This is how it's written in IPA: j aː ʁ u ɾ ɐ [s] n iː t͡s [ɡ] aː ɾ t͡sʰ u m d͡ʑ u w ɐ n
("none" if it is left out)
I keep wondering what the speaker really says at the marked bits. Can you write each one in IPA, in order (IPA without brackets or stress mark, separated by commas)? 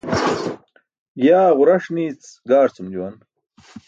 ʂ, ɡ